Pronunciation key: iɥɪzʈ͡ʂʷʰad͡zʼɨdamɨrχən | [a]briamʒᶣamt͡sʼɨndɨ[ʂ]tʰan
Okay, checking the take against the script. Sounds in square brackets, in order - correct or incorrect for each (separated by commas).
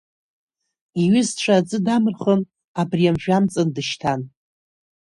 correct, incorrect